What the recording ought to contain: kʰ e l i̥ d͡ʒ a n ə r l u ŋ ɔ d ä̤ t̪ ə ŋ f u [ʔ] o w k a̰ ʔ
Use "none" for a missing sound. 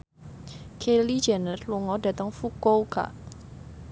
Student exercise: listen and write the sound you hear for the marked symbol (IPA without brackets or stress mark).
k